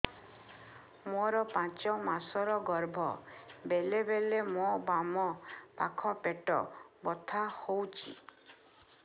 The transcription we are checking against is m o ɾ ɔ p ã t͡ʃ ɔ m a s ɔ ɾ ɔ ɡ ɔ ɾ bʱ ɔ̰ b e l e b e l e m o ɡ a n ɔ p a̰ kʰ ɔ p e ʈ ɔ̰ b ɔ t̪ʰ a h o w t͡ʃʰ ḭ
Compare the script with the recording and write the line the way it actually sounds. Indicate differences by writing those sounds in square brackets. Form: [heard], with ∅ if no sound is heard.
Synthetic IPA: m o ɾ ɔ p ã t͡ʃ ɔ m a s ɔ ɾ ɔ ɡ ɔ ɾ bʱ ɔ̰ b e l e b e l e m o [b] a [m] ɔ p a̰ kʰ ɔ p e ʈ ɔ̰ b ɔ t̪ʰ a h o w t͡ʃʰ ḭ